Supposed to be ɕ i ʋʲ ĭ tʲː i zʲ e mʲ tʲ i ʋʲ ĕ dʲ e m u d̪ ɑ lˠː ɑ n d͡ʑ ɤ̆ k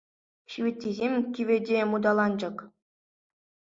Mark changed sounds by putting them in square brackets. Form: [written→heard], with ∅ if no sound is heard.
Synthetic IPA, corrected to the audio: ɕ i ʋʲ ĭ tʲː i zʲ e mʲ [tʲ→kʲ] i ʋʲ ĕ dʲ e m u d̪ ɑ [lˠː→lˠ] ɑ n d͡ʑ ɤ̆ k